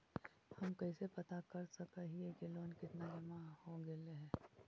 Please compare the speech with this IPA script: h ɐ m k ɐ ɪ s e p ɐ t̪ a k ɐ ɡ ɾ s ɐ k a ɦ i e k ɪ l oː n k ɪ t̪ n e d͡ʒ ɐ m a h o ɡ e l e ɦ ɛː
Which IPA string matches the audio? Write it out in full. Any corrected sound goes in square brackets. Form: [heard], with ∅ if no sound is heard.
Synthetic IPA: h ɐ m k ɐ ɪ s e p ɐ t̪ a k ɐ [∅] ɾ s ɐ k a ɦ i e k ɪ l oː n k ɪ t̪ n [a] d͡ʒ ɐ m a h o ɡ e l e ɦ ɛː

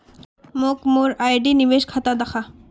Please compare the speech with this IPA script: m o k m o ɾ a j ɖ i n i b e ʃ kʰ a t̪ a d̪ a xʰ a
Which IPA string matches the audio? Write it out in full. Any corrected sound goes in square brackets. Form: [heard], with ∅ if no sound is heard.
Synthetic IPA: m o k m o ɾ a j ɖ i n i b e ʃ kʰ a t̪ a d̪ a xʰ a

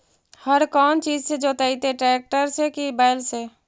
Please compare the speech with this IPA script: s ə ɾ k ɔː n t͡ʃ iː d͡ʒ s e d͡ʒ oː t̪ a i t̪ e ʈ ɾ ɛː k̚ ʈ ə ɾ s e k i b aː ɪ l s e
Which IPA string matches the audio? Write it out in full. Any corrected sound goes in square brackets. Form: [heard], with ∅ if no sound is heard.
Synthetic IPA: [h] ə ɾ k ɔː n t͡ʃ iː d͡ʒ s e d͡ʒ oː t̪ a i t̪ e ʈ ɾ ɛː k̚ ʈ ə ɾ s e k i b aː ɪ l s e

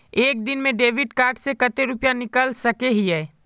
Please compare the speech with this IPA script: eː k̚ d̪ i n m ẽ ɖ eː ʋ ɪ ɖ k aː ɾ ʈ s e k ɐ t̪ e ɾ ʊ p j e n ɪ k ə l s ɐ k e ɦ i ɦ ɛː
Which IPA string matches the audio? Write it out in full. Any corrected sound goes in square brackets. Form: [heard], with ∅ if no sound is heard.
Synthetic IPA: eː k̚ d̪ [ɪ] n m ẽ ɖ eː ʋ ɪ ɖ k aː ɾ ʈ s e k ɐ t̪ e ɾ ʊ p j [a] n ɪ k ə l s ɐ k e ɦ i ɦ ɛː

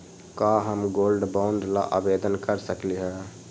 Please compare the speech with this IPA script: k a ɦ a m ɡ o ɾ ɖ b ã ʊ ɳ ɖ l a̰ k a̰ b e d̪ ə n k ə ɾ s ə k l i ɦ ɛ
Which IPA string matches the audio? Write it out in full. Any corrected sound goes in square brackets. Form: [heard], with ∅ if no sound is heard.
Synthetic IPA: k a ɦ [ə] m ɡ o [l] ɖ b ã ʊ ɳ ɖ l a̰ [ʔ] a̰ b e d̪ ə n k ə ɾ s ə k l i ɦ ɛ

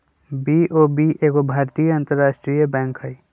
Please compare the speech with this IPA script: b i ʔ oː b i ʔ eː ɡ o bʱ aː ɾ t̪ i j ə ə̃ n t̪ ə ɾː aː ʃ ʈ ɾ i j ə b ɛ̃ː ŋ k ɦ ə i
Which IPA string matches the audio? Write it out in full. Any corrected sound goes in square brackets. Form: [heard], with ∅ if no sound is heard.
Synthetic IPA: b i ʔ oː b i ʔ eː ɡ o bʱ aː ɾ t̪ i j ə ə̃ n t̪ ə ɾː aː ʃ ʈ ɾ i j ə b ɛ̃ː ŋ k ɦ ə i

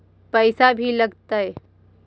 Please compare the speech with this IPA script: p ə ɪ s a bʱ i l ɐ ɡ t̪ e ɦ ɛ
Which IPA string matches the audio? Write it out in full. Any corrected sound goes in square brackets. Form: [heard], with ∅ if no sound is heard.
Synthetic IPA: p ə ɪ s a bʱ i l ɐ ɡ t̪ [a] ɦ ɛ

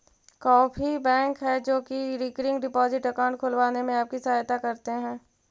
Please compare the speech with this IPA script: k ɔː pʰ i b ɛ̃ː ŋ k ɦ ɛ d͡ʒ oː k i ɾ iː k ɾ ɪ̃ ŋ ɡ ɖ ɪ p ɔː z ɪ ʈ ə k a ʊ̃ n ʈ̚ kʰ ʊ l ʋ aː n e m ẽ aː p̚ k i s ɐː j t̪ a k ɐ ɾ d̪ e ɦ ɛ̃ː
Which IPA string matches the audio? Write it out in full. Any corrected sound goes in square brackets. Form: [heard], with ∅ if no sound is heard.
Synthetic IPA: k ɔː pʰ i b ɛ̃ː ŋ k ɦ ɛ d͡ʒ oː k i ɾ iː k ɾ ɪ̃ ŋ ɡ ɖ ɪ p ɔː z ɪ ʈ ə k a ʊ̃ [ɳ] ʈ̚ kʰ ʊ l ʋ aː n e m ẽ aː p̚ k i s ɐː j t̪ a k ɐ ɾ [t̪] e ɦ ɛ̃ː

